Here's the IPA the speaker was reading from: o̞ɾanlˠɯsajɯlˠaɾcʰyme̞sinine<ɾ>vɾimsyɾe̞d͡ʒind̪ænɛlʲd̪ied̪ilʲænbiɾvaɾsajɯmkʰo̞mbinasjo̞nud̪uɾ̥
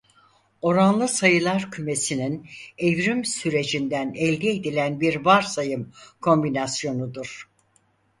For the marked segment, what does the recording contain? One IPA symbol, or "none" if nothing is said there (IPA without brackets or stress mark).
none